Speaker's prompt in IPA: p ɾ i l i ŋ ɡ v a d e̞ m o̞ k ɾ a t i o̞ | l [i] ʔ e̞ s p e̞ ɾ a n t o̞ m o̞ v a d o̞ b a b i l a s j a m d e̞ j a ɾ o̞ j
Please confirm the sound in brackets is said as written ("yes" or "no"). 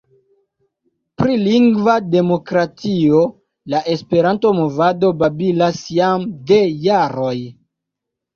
no